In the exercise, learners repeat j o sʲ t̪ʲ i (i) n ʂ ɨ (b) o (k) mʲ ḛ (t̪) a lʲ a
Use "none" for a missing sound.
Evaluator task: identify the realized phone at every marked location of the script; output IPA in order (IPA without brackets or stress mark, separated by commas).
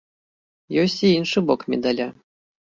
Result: i, b, k, d̪